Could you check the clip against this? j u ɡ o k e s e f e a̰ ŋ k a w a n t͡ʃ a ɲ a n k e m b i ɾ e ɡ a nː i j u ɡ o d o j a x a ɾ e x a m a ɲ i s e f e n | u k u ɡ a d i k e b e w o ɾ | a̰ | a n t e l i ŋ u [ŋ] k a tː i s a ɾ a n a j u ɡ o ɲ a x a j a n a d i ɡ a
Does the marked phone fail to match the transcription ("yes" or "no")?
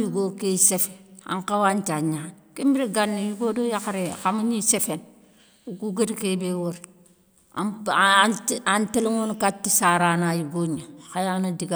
yes